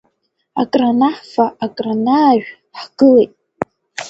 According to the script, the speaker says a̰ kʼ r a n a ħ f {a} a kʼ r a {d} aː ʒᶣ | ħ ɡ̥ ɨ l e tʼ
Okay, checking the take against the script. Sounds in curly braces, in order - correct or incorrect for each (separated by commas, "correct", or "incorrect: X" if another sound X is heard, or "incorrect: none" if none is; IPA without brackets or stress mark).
correct, incorrect: n